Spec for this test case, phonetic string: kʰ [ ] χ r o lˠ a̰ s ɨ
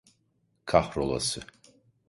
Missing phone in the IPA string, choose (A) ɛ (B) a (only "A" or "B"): B